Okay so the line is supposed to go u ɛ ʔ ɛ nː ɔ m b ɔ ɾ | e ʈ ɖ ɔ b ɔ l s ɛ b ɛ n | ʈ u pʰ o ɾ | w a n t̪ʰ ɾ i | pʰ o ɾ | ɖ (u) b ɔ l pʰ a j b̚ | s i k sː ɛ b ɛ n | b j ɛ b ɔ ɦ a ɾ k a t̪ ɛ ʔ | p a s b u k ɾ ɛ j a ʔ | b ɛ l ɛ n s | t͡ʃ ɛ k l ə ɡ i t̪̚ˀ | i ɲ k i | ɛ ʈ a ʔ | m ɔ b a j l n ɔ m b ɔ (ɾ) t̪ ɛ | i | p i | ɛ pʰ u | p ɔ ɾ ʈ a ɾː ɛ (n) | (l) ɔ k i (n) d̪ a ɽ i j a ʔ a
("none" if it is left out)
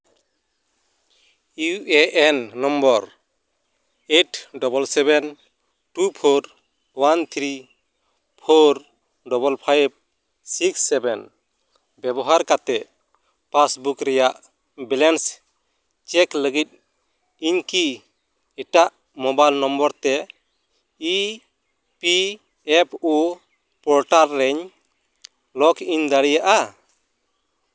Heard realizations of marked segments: ɔ, ɾ, ɲ, l, ɲ

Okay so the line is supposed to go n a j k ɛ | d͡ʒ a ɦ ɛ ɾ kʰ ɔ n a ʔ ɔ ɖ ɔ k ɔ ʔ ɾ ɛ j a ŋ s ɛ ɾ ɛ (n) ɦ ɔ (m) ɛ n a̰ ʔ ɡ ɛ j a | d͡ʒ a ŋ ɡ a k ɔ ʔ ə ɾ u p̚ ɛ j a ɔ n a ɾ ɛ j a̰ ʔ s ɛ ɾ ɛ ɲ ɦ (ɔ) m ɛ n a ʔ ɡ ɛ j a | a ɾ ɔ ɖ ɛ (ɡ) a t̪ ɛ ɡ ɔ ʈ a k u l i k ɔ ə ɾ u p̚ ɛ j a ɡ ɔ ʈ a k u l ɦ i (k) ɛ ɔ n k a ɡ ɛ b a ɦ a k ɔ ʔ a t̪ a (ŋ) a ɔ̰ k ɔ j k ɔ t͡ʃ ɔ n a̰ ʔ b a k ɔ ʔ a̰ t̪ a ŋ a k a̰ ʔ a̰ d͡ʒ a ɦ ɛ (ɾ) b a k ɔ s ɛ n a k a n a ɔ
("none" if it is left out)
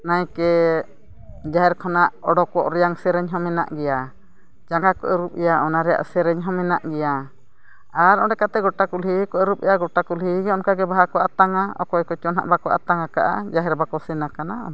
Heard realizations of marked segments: ɲ, m, ɔ, k, ɡ, ŋ, ɾ

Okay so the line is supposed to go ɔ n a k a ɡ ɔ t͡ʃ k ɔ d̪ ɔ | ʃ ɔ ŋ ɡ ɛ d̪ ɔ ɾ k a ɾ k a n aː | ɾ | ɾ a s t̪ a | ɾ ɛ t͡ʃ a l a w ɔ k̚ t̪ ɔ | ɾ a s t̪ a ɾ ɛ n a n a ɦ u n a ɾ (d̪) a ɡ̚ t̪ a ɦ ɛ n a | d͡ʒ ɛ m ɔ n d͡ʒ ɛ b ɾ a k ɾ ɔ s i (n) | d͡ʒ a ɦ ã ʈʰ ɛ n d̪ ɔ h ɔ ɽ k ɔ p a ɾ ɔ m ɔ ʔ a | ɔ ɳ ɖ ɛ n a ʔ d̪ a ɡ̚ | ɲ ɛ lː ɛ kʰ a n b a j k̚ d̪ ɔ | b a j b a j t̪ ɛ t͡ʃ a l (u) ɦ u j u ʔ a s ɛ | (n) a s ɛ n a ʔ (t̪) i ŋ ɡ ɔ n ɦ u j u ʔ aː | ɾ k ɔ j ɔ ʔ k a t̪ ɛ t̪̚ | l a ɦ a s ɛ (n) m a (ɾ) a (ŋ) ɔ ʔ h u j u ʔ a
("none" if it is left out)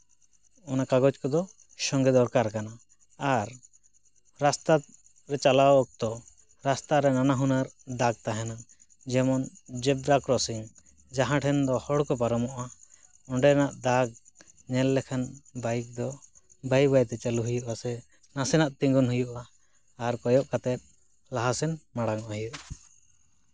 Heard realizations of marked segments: d̪, ŋ, u, n, t̪, n, ɽ, ŋ

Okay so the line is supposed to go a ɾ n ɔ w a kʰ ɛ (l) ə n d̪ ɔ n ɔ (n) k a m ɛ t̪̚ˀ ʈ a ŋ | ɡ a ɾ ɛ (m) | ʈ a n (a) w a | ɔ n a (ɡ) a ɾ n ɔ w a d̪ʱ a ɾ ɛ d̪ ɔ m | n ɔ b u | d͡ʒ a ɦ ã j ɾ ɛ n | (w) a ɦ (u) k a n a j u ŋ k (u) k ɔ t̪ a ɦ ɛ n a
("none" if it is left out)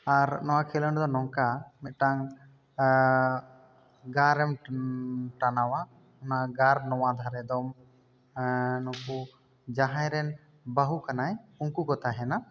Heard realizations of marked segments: l, ŋ, m, a, ɡ, b, u, u

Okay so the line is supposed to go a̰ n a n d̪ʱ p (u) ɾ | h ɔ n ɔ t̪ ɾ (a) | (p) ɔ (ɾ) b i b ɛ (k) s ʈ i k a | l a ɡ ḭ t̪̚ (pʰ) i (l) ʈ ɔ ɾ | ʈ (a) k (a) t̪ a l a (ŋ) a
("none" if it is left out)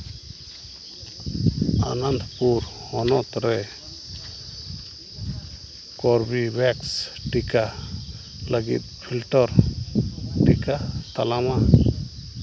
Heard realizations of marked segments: u, ɛ, k, ɾ, k, pʰ, l, i, a, m

